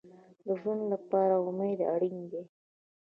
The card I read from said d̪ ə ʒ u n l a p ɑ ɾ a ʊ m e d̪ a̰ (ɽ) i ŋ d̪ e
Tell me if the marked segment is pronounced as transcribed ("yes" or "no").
yes